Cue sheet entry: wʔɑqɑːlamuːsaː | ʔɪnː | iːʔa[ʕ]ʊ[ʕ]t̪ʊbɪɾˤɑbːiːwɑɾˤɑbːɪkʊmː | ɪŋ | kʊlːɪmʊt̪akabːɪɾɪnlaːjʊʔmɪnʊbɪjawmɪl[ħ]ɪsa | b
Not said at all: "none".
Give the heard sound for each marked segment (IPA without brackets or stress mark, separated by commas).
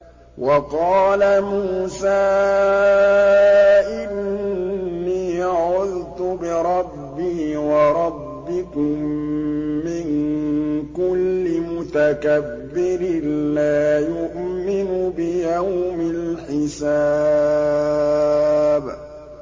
ʕ, ð, ħ